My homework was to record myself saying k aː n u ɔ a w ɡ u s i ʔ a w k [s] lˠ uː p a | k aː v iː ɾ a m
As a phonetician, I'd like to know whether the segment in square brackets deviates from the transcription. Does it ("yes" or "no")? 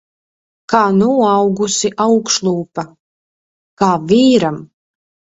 yes